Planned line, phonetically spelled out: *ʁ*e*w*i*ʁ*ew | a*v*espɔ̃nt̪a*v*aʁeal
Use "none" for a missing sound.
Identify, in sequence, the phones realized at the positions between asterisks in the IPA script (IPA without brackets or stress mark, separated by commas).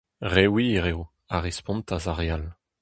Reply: ʁ, w, ʁ, ʁ, z